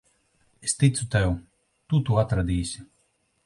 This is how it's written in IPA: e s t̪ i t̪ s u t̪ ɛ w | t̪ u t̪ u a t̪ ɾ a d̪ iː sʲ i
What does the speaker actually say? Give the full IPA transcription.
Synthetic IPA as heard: e s t̪ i t̪ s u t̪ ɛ w | t̪ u t̪ u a t̪ ɾ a d̪ iː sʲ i